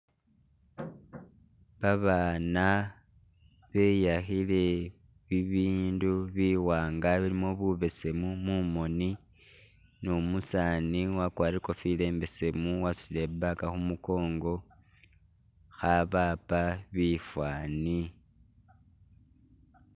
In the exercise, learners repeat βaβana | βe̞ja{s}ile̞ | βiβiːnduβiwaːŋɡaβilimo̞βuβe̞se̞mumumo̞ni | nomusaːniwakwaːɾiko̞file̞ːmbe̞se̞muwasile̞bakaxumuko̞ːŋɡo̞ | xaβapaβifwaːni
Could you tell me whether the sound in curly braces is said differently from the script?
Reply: yes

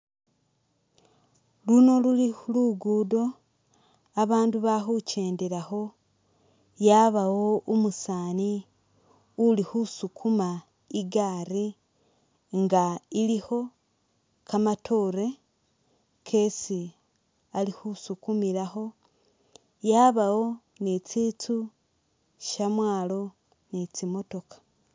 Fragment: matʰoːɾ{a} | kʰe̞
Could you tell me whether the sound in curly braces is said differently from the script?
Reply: yes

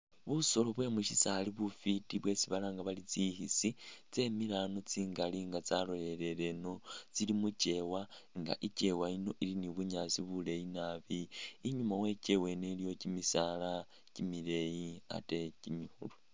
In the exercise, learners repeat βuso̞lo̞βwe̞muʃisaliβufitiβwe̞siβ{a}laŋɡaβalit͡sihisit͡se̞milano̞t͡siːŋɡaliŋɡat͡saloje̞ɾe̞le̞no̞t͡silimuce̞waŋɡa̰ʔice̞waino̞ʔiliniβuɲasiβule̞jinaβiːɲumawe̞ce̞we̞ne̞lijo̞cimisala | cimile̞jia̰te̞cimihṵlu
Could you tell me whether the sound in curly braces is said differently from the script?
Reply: no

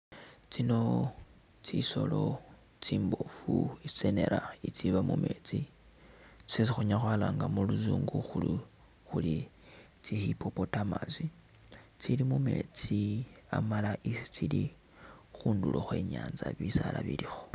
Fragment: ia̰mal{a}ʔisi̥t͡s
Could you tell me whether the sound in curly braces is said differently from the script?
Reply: no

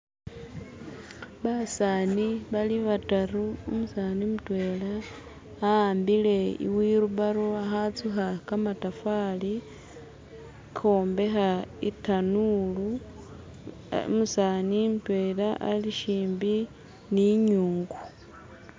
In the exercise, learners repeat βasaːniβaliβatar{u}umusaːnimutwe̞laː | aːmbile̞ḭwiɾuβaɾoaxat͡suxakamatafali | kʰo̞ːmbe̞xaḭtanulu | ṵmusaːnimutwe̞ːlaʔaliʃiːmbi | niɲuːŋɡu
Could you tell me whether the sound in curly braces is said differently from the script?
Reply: no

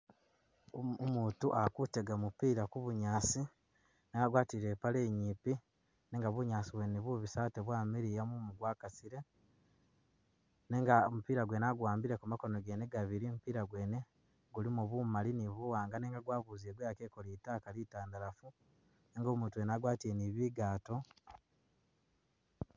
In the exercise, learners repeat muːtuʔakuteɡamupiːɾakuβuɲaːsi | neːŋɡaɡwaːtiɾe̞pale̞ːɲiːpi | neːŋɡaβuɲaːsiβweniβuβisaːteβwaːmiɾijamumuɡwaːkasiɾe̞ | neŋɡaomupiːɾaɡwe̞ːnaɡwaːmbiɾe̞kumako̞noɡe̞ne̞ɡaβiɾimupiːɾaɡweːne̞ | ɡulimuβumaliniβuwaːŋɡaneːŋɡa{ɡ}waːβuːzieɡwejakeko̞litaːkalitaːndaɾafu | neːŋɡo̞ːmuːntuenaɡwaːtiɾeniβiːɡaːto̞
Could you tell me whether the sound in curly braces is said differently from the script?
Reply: no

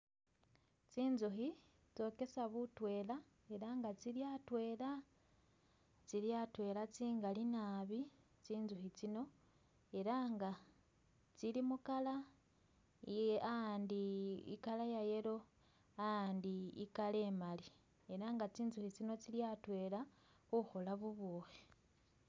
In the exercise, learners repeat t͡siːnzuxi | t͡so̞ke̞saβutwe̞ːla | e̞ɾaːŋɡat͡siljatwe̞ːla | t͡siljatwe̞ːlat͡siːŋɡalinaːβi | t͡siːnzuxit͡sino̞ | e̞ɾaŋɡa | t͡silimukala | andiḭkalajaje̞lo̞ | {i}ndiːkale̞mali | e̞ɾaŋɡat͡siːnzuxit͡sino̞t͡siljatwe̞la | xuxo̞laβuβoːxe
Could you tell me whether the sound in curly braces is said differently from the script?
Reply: yes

